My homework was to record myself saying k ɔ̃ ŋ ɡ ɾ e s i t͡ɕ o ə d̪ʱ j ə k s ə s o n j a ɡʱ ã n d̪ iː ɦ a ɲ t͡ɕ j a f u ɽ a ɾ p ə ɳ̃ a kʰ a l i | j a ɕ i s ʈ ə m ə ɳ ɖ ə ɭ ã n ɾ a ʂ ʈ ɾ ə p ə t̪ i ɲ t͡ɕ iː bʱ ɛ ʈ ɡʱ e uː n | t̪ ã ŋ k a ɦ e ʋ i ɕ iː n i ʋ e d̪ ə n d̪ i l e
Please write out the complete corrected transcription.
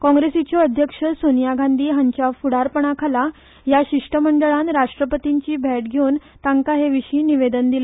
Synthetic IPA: k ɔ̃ ŋ ɡ ɾ e s i t͡ɕ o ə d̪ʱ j ə k ʂ ə s o n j a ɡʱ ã n d̪ iː ɦ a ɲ t͡ɕ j a f u ɽ a ɾ p ə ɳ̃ a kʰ a l a | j a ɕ i ʂ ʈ ə m ə ɳ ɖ ə ɭ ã n ɾ a ʂ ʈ ɾ ə p ə t̪ i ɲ t͡ɕ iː bʱ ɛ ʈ ɡʱ e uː n | t̪ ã ŋ k a ɦ e ʋ i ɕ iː n i ʋ e d̪ ə n d̪ i l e